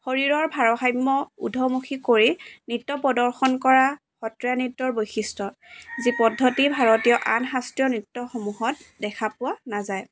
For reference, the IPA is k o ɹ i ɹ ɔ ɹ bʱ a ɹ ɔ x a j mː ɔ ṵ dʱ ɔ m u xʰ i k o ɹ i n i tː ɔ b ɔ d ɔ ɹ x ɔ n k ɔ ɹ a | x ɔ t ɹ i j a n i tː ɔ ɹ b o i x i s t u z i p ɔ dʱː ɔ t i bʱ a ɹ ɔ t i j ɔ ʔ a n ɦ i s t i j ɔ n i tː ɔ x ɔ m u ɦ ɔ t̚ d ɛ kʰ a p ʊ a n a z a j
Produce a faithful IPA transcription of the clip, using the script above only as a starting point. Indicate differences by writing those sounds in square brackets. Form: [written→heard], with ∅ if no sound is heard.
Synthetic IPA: [k→x] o ɹ i ɹ ɔ ɹ bʱ a ɹ ɔ x a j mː ɔ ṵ dʱ ɔ m u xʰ i k o ɹ i n i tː ɔ [b→p] ɔ d ɔ ɹ x ɔ n k ɔ ɹ a | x ɔ t ɹ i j a n i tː ɔ ɹ b o [i→j] x i s t [u→ɔ] z i p ɔ dʱː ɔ t i bʱ a ɹ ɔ t i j ɔ ʔ a n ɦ [i→a] s t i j ɔ n i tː ɔ x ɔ m u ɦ ɔ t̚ d ɛ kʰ a p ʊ a n a z a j

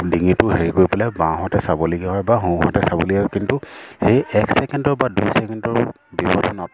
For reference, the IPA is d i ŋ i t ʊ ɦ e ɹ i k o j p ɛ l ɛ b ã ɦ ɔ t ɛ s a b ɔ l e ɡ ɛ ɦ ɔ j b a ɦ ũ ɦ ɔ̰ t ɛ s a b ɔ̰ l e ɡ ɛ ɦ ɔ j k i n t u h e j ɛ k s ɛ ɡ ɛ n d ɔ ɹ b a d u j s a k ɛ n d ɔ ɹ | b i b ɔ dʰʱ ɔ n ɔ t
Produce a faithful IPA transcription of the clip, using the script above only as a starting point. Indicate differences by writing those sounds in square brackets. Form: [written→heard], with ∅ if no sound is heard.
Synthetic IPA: d i ŋ i t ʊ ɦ e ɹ i k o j p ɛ l ɛ b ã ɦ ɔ t ɛ s a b ɔ l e ɡ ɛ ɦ ɔ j b a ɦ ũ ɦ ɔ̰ t ɛ s a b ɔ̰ l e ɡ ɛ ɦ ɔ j k i n t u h e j ɛ k s ɛ [ɡ→k] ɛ n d ɔ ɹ b a d u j s [a→ɛ] k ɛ n d ɔ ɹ | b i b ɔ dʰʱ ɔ n ɔ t

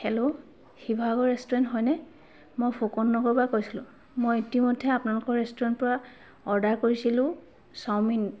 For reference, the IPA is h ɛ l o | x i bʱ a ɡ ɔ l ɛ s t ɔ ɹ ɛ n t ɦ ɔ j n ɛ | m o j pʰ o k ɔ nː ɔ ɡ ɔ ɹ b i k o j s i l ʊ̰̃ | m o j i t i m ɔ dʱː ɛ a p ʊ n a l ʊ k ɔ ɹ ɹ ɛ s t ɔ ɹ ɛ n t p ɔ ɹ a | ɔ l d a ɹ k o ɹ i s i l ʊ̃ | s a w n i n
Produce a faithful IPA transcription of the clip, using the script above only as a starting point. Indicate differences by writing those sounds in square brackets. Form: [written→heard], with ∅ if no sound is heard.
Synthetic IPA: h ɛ l o | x i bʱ a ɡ ɔ [l→ɹ] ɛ s t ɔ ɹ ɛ n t ɦ ɔ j n ɛ | m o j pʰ o k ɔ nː ɔ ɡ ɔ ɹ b [i→a] k o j s i l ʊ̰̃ | m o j i t i m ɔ dʱː ɛ a p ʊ n a l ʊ k ɔ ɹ ɹ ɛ s t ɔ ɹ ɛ n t p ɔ ɹ a | ɔ [l→ɹ] d a ɹ k o ɹ i s i l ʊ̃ | s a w [n→m] i n

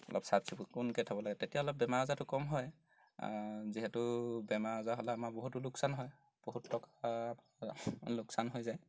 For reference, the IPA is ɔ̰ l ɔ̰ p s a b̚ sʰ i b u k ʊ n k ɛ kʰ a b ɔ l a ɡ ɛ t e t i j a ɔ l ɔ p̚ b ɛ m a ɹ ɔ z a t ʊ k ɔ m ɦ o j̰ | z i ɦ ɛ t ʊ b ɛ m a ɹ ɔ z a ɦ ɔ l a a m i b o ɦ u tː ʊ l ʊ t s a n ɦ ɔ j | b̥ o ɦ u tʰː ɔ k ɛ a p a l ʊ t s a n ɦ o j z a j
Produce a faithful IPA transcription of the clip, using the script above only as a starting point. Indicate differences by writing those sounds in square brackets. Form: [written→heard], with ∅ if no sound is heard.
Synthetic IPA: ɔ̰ l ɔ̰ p s a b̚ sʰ i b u k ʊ n k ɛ [kʰ→tʰ] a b ɔ l a ɡ ɛ t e t i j a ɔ l ɔ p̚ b ɛ m a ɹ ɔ z a t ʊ k ɔ m ɦ [o→ɔ] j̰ | z i ɦ ɛ t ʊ b ɛ m a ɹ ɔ z a ɦ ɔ l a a m [i→a] b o ɦ u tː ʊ l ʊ [t→k] s a n ɦ ɔ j | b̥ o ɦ u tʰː ɔ k [ɛ→a] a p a l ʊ [t→k] s a n ɦ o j z a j

